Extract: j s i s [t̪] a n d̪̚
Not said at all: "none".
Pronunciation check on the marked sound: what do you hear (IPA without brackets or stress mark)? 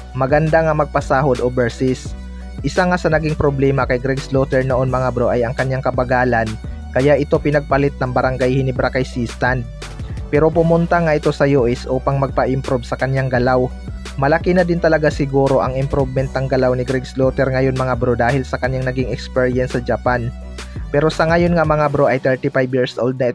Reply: t̪